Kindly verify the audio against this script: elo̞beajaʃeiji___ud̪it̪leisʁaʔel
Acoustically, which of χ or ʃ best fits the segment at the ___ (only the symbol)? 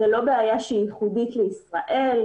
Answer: χ